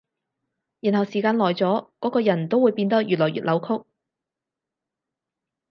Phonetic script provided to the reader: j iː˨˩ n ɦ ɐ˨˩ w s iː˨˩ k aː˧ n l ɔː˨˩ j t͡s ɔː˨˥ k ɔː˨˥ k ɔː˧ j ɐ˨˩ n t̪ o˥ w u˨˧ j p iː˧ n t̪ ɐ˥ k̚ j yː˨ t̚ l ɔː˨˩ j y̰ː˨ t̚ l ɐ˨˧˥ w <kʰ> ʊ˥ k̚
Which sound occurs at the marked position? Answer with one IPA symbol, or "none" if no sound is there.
kʰ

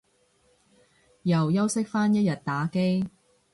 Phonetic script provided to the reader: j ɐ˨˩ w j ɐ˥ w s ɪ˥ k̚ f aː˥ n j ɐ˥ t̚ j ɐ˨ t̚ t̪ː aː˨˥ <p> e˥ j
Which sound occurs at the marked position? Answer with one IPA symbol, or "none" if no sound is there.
k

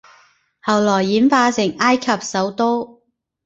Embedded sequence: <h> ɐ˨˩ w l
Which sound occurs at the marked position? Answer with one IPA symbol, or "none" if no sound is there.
h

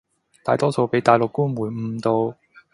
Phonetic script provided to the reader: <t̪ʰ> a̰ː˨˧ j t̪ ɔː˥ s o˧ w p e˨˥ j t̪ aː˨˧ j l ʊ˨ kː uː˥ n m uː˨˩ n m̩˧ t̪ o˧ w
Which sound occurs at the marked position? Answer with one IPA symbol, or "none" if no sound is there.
t̪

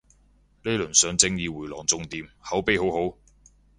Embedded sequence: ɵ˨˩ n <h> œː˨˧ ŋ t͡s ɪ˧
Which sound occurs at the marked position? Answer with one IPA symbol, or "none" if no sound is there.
s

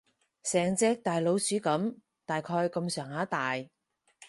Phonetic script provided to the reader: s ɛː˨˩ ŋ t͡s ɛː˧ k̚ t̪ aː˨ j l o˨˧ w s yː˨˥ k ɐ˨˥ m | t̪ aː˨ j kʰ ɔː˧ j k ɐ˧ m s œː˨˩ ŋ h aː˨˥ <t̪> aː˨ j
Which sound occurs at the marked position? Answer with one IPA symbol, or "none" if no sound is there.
t̪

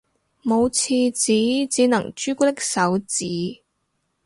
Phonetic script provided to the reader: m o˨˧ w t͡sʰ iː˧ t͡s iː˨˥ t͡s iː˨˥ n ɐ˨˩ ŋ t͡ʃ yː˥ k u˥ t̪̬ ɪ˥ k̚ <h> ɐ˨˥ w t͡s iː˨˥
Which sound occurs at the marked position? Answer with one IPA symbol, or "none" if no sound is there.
s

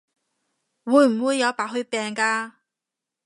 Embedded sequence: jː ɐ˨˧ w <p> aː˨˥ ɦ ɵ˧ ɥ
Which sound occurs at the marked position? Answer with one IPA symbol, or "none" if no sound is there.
p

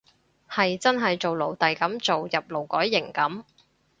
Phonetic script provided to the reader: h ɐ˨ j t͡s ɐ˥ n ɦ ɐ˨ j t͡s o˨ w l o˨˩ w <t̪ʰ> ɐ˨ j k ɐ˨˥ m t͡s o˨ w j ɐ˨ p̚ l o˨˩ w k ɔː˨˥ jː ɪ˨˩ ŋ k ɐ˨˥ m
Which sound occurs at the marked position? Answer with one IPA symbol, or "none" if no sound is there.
t̪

